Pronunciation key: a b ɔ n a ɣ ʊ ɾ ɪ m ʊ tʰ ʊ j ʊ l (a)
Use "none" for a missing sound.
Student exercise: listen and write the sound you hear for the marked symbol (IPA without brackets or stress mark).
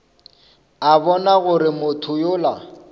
a